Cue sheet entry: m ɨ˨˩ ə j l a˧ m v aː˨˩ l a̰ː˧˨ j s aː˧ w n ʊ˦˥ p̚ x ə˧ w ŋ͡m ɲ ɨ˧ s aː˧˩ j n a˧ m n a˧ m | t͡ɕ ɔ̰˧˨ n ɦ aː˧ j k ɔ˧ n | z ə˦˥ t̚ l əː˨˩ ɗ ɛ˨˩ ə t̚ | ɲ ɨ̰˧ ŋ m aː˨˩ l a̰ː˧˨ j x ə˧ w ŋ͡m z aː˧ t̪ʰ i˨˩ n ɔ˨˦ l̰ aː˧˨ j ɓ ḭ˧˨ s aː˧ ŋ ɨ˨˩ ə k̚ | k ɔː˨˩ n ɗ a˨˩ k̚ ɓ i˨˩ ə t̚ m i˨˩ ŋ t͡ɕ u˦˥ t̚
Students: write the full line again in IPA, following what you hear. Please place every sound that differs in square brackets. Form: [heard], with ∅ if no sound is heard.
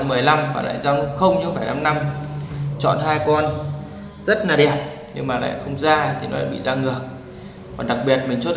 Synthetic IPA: m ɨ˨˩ ə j l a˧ m v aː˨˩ l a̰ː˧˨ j [z] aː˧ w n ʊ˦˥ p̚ x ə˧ w ŋ͡m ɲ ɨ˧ [f] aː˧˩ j n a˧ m n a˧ m | t͡ɕ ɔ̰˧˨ n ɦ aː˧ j k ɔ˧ n | z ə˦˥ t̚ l [aː˨˩] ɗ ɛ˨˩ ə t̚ | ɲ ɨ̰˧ ŋ m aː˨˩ l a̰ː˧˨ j x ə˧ w ŋ͡m z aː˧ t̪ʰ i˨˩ n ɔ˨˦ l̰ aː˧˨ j ɓ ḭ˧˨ [z] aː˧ ŋ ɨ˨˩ ə k̚ | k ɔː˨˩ n ɗ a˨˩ k̚ ɓ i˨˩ ə t̚ m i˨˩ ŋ t͡ɕ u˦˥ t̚

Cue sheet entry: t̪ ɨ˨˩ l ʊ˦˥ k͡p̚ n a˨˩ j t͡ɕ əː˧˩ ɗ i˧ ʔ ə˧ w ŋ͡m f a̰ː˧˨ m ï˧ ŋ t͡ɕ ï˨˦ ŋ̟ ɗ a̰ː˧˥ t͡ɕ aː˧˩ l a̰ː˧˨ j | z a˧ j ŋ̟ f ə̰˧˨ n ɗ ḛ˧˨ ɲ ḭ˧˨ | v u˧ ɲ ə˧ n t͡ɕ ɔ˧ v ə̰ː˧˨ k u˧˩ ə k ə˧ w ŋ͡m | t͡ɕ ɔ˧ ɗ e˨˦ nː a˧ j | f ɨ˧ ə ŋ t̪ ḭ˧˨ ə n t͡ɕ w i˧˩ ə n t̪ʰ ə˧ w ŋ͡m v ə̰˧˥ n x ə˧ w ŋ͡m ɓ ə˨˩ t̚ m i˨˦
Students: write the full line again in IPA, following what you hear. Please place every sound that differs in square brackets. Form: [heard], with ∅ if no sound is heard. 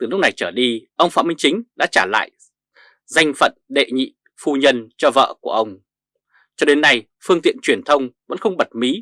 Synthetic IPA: t̪ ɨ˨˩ l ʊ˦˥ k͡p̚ n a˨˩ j t͡ɕ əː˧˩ ɗ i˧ ʔ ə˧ w ŋ͡m f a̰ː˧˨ m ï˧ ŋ t͡ɕ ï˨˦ ŋ̟ ɗ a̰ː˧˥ t͡ɕ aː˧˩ l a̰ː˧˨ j | z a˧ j ŋ̟ f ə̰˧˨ n ɗ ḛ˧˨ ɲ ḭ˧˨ | [f] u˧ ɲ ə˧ n t͡ɕ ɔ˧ v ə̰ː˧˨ k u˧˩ ə [ʔ] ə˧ w ŋ͡m | t͡ɕ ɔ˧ ɗ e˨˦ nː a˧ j | f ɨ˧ ə ŋ t̪ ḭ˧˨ ə n t͡ɕ w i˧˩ ə n t̪ʰ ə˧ w ŋ͡m v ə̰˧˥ n x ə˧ w ŋ͡m ɓ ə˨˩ t̚ m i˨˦

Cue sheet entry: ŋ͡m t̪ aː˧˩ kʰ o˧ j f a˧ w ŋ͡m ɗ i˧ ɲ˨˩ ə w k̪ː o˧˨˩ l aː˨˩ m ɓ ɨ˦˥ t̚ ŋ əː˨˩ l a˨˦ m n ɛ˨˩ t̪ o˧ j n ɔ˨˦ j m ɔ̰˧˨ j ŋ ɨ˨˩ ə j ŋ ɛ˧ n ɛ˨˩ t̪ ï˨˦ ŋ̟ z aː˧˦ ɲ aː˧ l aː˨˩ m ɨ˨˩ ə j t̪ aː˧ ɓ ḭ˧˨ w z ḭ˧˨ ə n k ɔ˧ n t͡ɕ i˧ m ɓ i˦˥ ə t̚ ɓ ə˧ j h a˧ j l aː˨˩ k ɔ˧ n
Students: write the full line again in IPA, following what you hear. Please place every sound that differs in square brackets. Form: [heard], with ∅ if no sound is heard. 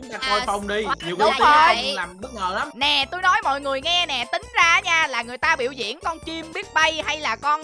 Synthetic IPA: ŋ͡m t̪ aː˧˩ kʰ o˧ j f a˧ w ŋ͡m ɗ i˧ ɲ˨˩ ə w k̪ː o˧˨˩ l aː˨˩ m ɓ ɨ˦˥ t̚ ŋ əː˨˩ l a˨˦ m n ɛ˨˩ t̪ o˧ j n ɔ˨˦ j m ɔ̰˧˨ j ŋ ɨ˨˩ ə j ŋ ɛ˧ n ɛ˨˩ t̪ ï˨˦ ŋ̟ z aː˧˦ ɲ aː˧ l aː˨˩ [ŋ] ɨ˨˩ ə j t̪ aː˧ ɓ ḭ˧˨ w z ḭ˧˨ ə n k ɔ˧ n t͡ɕ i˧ m ɓ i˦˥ ə t̚ ɓ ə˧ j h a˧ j l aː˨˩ k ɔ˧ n

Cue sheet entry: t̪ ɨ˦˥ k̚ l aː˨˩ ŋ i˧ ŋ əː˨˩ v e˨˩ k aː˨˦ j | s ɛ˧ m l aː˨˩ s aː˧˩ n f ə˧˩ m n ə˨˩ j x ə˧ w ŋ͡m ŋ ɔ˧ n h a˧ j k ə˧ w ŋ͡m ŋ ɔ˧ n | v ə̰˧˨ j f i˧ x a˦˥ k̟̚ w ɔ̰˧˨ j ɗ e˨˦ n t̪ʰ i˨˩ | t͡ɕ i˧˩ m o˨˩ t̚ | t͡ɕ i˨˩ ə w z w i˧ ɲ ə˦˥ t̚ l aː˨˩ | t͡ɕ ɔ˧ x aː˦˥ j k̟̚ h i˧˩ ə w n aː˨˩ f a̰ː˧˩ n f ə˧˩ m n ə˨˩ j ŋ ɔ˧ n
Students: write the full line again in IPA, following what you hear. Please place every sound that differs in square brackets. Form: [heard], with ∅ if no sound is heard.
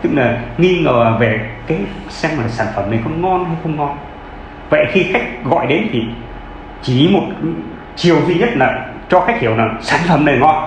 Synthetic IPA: t̪ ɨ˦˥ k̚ l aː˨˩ ŋ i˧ ŋ əː˨˩ v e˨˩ k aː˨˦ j | s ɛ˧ m l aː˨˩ s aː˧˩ n f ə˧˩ m n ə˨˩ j x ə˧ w ŋ͡m ŋ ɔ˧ n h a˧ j [x] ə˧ w ŋ͡m ŋ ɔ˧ n | v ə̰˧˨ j [x] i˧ x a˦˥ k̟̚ [ɣ] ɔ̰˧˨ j ɗ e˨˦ n t̪ʰ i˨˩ | t͡ɕ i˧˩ m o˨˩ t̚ | t͡ɕ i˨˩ ə w z w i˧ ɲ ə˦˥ t̚ l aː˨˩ | t͡ɕ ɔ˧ x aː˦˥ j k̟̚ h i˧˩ ə w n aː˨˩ [s] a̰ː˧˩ n f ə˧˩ m n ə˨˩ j ŋ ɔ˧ n

